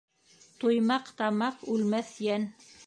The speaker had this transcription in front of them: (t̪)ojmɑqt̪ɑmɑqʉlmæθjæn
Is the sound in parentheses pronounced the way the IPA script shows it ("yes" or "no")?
yes